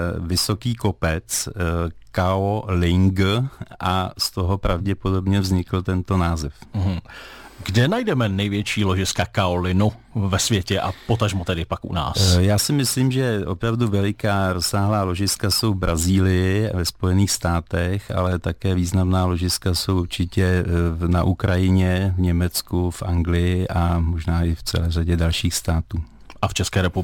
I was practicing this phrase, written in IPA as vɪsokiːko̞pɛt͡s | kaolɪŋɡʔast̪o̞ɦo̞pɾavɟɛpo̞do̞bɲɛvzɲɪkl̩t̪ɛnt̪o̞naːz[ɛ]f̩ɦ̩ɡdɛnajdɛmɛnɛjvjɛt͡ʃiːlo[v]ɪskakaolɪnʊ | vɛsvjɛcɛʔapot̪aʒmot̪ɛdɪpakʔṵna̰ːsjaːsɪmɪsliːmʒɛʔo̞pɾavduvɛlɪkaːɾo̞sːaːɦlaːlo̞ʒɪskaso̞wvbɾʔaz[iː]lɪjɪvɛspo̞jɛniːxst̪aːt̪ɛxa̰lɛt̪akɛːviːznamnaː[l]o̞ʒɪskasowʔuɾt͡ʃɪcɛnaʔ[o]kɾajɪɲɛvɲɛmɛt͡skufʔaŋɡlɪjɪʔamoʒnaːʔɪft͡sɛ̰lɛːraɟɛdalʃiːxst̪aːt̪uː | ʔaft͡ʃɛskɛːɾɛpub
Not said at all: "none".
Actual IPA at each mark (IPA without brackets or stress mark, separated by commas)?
ɛ, ʒ, iː, l, u